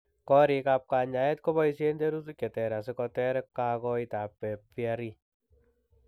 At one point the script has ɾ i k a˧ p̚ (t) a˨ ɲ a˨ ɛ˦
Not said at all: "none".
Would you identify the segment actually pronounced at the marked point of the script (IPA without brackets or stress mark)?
k